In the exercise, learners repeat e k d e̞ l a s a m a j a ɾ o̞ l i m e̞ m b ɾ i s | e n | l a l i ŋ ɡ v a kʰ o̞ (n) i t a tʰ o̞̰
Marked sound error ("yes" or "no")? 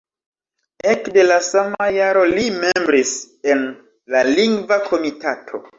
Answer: yes